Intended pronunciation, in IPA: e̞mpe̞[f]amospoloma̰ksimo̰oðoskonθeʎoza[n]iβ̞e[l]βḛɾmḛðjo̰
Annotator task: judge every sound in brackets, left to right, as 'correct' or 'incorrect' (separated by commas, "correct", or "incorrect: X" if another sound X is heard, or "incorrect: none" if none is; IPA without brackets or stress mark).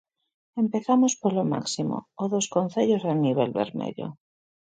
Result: incorrect: θ, correct, correct